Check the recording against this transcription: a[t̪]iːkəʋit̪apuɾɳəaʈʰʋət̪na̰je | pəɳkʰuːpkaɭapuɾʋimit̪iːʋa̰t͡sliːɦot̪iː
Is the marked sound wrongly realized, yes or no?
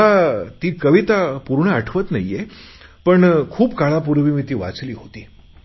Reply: no